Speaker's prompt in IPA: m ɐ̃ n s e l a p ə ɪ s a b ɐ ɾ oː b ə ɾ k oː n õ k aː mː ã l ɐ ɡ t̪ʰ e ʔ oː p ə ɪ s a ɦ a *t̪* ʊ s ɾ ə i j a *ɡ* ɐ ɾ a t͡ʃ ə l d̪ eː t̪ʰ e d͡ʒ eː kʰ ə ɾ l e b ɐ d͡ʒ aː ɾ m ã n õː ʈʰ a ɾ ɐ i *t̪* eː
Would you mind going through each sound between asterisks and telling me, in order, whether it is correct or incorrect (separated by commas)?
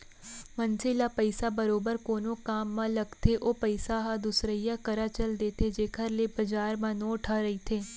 incorrect, incorrect, incorrect